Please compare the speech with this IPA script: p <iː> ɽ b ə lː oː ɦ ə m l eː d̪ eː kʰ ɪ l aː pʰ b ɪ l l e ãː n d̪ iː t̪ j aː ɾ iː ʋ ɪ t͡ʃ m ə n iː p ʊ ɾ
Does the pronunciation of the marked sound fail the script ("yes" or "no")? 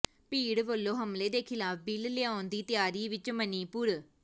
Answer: no